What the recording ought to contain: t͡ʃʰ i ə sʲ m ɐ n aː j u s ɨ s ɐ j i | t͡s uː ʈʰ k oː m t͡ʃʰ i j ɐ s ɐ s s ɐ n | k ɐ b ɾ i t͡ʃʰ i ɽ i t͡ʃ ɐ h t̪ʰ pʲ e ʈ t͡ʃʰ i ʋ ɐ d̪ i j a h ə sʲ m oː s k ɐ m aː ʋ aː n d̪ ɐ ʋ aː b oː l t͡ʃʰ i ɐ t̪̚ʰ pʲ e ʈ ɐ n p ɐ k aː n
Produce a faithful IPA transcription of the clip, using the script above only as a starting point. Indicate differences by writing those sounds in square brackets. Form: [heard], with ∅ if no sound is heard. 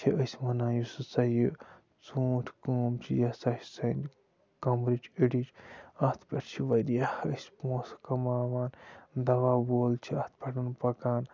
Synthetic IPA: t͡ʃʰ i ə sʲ m ɐ n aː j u s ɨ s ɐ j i | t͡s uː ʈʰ k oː m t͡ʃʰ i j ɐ s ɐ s s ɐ n | k ɐ [m] ɾ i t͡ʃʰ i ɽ i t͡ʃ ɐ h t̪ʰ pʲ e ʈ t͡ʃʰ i ʋ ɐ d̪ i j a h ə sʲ m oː s k ɐ m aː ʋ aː n d̪ ɐ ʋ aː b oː l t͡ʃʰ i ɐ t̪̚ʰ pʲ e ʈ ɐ n p ɐ k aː n